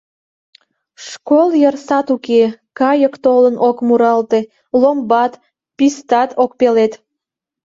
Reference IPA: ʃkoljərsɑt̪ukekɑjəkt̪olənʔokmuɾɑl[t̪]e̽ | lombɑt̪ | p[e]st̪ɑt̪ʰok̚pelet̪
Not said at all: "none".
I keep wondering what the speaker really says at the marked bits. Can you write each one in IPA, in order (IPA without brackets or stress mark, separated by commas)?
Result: t̪, i